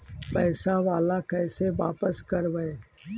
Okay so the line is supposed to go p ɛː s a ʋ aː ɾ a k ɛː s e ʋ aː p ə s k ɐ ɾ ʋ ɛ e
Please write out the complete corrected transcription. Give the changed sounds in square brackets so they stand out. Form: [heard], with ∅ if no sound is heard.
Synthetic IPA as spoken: p ɛː s a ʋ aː [l] a k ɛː s e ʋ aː p ə s k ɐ ɾ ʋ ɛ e

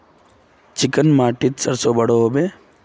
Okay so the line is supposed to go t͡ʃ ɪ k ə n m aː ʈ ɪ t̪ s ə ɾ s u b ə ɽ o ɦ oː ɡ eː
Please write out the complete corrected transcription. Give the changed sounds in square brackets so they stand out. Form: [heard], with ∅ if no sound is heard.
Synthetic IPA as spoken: t͡ʃ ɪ k ə n m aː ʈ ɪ t̪ s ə ɾ s [o] b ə ɽ o ɦ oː [b] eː

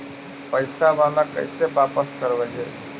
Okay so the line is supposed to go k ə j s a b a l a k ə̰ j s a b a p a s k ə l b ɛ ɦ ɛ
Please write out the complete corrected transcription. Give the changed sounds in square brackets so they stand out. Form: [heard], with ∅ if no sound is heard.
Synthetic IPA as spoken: [p] ə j s a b a l a k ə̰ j s [e] b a p [ə] s k ə [ɾ] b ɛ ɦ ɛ

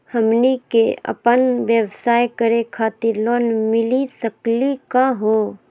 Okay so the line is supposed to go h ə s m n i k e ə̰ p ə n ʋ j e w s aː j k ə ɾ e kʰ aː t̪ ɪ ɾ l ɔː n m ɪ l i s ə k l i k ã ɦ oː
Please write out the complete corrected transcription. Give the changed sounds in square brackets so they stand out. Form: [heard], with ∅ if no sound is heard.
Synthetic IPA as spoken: h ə [∅] m n i k e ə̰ p ə n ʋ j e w s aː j k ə ɾ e kʰ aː t̪ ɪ ɾ l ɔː n m ɪ l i s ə k l i k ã ɦ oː

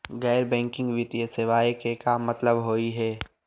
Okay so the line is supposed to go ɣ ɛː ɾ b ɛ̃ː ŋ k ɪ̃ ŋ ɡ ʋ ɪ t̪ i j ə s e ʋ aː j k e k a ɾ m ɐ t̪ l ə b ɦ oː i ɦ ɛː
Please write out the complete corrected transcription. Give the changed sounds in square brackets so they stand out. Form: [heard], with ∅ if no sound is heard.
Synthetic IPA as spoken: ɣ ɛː ɾ b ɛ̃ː ŋ k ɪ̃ ŋ ɡ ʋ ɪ t̪ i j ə s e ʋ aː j k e k a [∅] m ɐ t̪ l ə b ɦ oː i ɦ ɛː

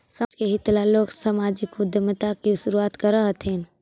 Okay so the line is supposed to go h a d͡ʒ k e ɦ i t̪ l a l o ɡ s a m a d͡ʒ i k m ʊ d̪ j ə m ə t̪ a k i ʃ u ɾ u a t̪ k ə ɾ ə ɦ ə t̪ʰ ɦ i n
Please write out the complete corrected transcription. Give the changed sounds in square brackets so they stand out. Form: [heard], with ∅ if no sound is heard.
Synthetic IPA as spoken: [s] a d͡ʒ k e ɦ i t̪ l a l o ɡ s a m a d͡ʒ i k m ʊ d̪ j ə m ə t̪ a k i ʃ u ɾ u a t̪ k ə ɾ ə ɦ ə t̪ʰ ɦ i n

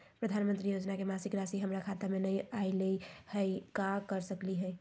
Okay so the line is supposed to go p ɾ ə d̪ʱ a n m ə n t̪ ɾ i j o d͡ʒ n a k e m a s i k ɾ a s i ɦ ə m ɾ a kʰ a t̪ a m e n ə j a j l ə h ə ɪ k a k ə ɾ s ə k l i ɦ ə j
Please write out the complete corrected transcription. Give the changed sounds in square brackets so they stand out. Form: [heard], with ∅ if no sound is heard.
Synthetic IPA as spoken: p ɾ ə d̪ʱ a n m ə n t̪ ɾ i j o d͡ʒ n a k e m a s i k ɾ a s i ɦ ə m ɾ a kʰ a t̪ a m e n ə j a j l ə h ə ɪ k a k ə ɾ s ə k l i ɦ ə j

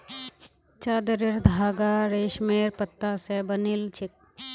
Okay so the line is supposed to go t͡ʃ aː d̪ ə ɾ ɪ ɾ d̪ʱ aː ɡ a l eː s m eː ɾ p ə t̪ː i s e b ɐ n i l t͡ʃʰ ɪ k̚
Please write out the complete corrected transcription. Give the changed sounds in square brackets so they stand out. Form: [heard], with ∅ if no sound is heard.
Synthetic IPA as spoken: t͡ʃ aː d̪ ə ɾ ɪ ɾ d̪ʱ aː ɡ a [ɾ] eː [ʃ] m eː ɾ p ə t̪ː [a] s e b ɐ n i l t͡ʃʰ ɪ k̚

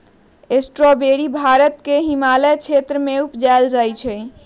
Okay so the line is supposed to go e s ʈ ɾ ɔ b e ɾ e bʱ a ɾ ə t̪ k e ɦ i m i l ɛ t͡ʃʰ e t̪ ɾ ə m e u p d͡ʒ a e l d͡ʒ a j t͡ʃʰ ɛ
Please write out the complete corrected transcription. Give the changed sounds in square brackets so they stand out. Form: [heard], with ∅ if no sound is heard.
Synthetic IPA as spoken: e s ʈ ɾ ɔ b e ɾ [i] bʱ a ɾ ə t̪ k e ɦ i m [a] l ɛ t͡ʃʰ e t̪ ɾ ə m e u p d͡ʒ a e l d͡ʒ a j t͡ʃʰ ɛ

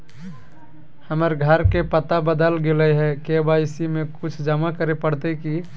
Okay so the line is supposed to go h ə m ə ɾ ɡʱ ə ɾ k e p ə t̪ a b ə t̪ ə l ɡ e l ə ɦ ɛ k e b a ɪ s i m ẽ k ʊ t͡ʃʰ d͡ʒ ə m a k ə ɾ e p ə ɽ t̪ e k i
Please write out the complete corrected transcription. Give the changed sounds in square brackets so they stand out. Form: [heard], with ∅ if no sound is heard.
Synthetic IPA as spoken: h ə m ə ɾ ɡʱ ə ɾ k e p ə t̪ a b ə [d̪] ə l ɡ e l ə ɦ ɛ k e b a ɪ s i m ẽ k ʊ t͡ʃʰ d͡ʒ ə m a k ə ɾ e p ə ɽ t̪ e k i

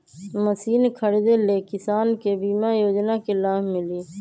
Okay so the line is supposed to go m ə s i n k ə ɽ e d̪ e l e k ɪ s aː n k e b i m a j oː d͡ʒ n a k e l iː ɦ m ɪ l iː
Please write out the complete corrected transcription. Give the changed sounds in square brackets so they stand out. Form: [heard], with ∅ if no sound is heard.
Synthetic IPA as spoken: m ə s [iː] n [kʰ] ə ɽ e d̪ e l e k ɪ s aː n k e b [iː] m a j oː d͡ʒ n a k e l [aː] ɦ m ɪ l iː

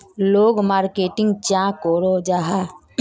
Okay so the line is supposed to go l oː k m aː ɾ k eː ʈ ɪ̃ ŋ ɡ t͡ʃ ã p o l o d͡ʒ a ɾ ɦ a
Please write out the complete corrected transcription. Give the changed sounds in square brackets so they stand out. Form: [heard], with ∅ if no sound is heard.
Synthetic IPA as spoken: l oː [ɡ] m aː ɾ k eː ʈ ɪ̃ ŋ ɡ t͡ʃ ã [k] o [ɾ] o d͡ʒ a [∅] ɦ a

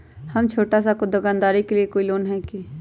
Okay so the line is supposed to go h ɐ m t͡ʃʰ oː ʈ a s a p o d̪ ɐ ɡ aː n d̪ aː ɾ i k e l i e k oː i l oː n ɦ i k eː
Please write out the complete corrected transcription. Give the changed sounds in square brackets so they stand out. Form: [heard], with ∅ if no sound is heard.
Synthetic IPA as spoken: h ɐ m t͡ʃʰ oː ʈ a s a [k] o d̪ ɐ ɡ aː n d̪ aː ɾ i k e l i e k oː i l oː n ɦ [ɛ] k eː

